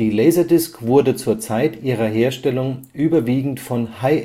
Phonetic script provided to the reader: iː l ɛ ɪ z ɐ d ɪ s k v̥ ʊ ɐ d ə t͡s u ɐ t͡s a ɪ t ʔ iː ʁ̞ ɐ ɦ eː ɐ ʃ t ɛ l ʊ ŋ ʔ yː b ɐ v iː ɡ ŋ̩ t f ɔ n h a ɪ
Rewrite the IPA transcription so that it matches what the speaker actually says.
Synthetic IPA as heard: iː l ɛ ɪ z ɐ d ɪ s k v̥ ʊ ɐ d ə t͡s uː ɐ t͡s a ɪ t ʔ iː ʁ̞ ɐ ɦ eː ɐ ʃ t ɛ l ʊ ŋ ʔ yː b ɐ v iː ɡ ŋ̩ t f ɔ n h a ɪ